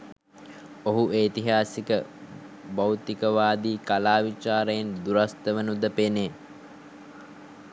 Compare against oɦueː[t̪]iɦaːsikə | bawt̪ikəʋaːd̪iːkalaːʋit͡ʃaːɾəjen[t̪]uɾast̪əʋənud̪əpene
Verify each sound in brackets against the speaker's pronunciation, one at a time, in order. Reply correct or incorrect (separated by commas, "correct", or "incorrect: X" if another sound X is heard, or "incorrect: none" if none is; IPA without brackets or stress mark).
correct, incorrect: d̪